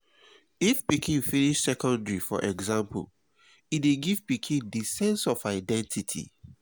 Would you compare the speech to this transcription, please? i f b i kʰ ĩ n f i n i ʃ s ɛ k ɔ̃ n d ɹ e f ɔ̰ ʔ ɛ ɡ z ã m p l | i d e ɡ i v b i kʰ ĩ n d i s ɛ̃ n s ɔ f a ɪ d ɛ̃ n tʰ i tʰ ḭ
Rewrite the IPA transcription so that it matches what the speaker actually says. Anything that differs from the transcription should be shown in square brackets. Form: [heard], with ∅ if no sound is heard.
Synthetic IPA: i f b i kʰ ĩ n f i n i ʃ s ɛ k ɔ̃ n d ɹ [i] f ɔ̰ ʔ ɛ ɡ z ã m p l | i d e ɡ i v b i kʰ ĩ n d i s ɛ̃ n s ɔ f a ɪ d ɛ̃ n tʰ i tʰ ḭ